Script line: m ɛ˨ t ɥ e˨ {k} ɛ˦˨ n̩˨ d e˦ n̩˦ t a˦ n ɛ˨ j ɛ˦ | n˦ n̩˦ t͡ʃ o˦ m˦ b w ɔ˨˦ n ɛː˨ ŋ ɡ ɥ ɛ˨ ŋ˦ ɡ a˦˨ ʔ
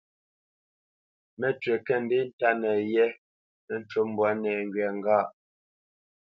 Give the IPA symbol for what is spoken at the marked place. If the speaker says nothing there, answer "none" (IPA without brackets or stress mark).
k